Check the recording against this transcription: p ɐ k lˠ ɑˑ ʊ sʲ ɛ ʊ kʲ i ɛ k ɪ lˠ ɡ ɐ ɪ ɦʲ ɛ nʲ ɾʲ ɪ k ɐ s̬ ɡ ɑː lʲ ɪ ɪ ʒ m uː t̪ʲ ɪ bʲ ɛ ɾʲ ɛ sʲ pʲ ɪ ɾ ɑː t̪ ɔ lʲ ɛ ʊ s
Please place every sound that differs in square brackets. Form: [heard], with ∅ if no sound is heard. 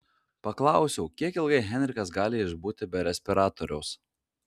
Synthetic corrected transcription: p ɐ k lˠ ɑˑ ʊ sʲ ɛ ʊ kʲ i ɛ k ɪ lˠ ɡ ɐ ɪ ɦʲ ɛ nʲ ɾʲ ɪ k ɐ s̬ ɡ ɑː lʲ ɪ ɪ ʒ [b] uː t̪ʲ ɪ bʲ ɛ ɾʲ ɛ sʲ pʲ ɪ ɾ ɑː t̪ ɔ [ɾʲ] ɛ ʊ s